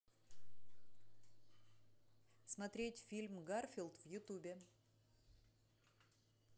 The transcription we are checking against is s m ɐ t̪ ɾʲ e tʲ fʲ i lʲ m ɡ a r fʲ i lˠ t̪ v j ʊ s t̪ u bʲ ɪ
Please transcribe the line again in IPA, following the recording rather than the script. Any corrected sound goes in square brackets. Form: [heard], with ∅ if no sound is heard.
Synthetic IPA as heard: s m ɐ t̪ ɾʲ e tʲ fʲ i lʲ m ɡ a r fʲ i lˠ t̪ v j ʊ [∅] t̪ u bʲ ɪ